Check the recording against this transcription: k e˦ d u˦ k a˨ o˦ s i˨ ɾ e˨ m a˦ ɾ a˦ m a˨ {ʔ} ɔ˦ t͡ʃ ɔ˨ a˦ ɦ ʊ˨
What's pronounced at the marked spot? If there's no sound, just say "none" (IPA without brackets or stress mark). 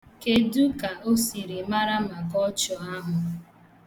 k